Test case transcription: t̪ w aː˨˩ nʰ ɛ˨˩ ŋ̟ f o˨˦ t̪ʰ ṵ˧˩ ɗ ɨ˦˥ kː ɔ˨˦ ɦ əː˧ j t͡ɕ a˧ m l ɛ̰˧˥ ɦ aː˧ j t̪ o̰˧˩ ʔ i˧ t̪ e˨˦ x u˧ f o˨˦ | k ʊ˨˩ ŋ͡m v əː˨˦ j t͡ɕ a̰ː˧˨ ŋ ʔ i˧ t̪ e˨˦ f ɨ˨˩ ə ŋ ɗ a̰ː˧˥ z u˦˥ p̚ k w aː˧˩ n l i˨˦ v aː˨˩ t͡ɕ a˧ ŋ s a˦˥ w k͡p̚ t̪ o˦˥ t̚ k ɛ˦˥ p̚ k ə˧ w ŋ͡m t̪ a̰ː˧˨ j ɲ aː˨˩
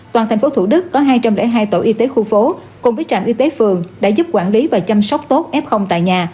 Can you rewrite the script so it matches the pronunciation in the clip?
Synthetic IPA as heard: t̪ w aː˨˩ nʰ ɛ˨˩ ŋ̟ f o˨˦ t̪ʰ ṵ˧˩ ɗ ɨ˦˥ kː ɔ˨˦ ɦ aː˧ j t͡ɕ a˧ m l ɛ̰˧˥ ɦ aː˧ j t̪ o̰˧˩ ʔ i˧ t̪ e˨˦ x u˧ f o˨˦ | k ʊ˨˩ ŋ͡m v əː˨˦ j t͡ɕ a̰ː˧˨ m ʔ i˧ t̪ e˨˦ f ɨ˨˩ ə ŋ ɗ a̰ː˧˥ z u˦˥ p̚ k w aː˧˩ n l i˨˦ v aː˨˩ t͡ɕ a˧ m s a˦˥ w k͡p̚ t̪ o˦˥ t̚ ʔ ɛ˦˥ p̚ x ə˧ w ŋ͡m t̪ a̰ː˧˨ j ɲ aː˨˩